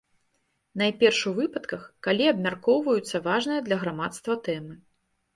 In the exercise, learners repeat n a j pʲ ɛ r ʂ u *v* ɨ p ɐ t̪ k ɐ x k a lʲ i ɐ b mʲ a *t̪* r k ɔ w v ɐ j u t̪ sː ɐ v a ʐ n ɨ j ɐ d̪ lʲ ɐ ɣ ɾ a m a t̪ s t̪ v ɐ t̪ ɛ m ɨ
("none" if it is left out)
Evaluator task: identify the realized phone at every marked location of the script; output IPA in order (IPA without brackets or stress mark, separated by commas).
v, none